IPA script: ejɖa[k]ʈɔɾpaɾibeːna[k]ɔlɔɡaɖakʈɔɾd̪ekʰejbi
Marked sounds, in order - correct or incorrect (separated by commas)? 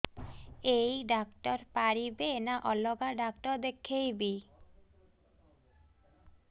correct, incorrect